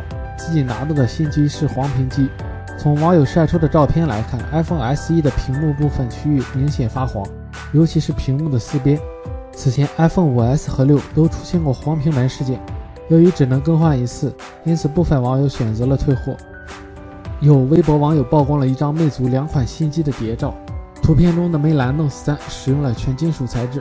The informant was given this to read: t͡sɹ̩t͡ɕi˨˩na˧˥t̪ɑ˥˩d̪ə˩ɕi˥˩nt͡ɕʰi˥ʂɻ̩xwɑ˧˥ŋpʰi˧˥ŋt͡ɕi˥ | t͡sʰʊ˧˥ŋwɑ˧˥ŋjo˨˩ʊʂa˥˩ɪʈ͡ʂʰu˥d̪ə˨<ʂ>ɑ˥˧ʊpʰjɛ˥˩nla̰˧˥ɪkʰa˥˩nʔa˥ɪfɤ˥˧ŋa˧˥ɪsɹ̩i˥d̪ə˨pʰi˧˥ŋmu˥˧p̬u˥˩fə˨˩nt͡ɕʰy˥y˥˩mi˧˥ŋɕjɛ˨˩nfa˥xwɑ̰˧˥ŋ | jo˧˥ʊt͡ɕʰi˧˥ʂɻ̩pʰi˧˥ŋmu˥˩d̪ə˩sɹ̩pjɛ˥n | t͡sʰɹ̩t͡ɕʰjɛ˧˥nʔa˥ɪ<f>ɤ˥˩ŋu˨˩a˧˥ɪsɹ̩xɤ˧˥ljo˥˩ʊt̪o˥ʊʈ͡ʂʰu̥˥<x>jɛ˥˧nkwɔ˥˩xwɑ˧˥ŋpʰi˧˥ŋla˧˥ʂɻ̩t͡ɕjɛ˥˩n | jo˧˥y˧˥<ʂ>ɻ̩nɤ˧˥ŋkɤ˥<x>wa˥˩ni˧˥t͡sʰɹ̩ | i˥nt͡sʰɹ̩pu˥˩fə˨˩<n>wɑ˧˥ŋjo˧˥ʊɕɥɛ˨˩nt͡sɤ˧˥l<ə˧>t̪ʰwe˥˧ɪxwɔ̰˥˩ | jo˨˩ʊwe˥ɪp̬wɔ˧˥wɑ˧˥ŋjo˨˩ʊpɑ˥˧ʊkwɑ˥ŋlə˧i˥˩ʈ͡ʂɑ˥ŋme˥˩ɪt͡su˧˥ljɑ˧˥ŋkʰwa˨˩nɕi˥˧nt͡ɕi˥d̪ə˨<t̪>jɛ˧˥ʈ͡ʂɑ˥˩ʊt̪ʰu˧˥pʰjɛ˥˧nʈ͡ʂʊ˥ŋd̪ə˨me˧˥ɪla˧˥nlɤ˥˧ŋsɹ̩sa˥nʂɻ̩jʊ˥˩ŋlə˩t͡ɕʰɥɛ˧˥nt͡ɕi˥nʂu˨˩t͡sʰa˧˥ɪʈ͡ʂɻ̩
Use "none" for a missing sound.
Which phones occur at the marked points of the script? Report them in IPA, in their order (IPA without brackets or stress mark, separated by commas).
ʈ͡ʂ, f, ɕ, ʈ͡ʂ, x, n, ə˧, t̪